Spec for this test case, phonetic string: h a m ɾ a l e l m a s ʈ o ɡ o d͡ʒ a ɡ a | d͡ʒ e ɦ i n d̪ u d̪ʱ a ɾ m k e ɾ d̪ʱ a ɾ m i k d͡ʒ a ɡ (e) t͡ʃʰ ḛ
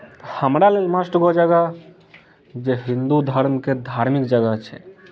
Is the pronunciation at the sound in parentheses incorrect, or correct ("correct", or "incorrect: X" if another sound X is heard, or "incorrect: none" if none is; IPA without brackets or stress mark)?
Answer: incorrect: a